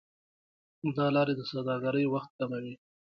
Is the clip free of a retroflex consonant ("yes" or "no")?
yes